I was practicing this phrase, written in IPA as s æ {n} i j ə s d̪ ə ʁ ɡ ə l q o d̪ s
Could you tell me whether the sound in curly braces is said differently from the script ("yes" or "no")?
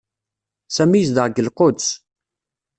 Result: yes